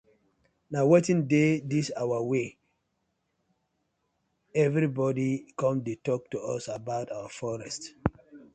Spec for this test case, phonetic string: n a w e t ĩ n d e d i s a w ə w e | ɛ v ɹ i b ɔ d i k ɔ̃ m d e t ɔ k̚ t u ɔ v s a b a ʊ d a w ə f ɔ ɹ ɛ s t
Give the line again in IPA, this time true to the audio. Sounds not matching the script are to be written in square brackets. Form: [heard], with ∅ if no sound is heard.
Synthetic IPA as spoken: n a w e t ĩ n d e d i s a w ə w e | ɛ v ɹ i b ɔ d i k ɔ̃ m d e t ɔ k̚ t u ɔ [∅] s a b a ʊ [t] a w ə f ɔ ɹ ɛ s t